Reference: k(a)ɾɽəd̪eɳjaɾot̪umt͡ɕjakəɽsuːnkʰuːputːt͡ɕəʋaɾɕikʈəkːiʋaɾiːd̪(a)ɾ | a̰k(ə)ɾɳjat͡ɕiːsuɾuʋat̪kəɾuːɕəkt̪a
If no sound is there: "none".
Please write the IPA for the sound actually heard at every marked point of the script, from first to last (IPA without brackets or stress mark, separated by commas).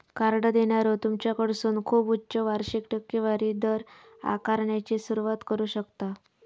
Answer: a, ə, a